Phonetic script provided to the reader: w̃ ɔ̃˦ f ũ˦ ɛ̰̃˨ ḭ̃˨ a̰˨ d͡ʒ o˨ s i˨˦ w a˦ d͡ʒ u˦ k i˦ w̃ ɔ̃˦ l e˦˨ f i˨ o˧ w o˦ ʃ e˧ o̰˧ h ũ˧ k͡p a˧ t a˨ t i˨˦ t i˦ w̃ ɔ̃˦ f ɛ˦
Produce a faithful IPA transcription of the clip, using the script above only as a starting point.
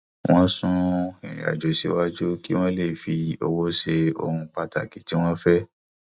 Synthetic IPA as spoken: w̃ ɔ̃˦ s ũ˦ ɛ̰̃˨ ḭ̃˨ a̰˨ d͡ʒ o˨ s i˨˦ w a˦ d͡ʒ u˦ k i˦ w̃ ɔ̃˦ l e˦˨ f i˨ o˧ w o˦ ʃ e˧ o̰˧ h ũ˧ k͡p a˧ t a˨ k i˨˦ t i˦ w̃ ɔ̃˦ f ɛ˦